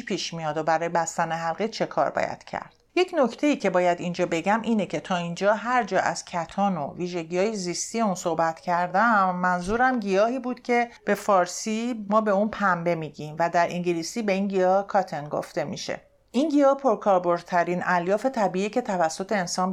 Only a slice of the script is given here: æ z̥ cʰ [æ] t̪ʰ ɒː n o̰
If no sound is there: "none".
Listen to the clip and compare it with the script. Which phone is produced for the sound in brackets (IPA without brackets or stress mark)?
æ